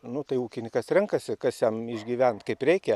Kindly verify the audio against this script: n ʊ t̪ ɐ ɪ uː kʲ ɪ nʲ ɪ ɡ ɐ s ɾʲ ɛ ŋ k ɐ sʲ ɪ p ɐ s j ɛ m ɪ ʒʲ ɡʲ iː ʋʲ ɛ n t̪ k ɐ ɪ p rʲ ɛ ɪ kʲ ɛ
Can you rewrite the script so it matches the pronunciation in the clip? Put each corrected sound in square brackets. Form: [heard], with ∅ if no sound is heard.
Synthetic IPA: n ʊ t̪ ɐ ɪ uː kʲ ɪ nʲ ɪ [k] ɐ s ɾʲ ɛ ŋ k ɐ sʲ ɪ [k] ɐ s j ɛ m ɪ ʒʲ ɡʲ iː ʋʲ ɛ n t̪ k ɐ ɪ p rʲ ɛ ɪ kʲ ɛ